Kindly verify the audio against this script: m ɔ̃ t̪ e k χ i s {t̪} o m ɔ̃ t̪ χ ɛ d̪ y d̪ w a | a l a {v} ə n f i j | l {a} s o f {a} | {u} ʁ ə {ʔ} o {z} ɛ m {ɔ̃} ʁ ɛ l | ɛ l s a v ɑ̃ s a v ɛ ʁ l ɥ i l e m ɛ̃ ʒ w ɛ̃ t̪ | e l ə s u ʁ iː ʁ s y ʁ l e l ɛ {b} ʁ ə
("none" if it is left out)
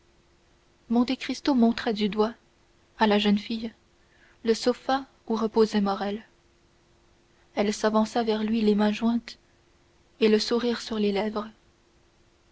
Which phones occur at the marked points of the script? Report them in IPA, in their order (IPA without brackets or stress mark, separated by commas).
t̪, ʒ, ə, a, u, p, z, ɔ, v